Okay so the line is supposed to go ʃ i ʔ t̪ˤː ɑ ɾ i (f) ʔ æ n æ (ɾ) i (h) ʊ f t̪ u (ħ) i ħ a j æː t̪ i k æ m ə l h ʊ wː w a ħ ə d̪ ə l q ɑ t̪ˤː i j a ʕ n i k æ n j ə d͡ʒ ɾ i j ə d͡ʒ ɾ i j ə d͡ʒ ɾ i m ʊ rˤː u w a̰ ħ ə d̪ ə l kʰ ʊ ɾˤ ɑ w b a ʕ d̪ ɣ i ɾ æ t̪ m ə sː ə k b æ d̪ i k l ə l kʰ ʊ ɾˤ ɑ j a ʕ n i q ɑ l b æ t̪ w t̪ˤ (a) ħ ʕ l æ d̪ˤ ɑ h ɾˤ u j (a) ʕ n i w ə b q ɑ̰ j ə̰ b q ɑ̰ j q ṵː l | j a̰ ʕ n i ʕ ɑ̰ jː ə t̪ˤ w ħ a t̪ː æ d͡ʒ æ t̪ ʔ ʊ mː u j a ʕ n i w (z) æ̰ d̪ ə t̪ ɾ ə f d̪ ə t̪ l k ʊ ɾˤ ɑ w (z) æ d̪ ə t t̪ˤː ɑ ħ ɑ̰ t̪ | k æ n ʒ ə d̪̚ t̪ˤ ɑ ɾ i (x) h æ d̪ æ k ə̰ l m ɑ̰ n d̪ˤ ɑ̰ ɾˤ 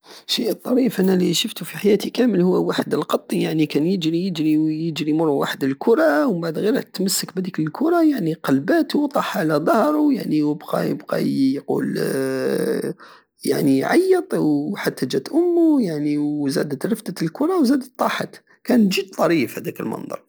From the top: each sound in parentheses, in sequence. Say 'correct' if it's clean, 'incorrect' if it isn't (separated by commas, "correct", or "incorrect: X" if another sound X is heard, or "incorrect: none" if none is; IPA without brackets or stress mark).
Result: correct, incorrect: l, incorrect: ʃ, incorrect: f, incorrect: ɑ, correct, correct, correct, incorrect: f